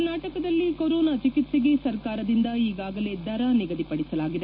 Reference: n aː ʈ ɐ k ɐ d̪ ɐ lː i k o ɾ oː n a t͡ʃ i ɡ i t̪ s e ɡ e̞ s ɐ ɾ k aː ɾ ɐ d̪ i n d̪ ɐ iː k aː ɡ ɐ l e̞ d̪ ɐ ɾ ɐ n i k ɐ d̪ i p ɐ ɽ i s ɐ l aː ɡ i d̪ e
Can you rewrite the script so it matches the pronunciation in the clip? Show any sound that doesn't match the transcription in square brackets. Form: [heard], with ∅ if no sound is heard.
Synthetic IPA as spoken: n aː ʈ ɐ k ɐ d̪ ɐ lː i k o ɾ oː n a t͡ʃ i [k] i t̪ s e ɡ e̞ s ɐ ɾ k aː ɾ ɐ d̪ i n d̪ ɐ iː [ɡ] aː ɡ ɐ l e̞ d̪ ɐ ɾ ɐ n i [ɡ] ɐ d̪ i p ɐ ɽ i s ɐ l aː ɡ i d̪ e